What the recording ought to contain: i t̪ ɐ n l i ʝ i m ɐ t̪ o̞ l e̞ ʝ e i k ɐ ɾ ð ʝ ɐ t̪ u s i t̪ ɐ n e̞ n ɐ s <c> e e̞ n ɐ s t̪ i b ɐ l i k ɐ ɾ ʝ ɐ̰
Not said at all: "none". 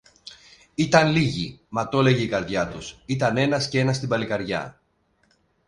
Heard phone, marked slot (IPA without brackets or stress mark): c